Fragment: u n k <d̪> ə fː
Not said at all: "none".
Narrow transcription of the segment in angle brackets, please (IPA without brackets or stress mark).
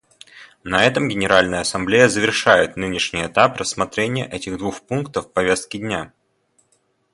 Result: t̪